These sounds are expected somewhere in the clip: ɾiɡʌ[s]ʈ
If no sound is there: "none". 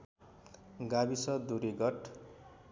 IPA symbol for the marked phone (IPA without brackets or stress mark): none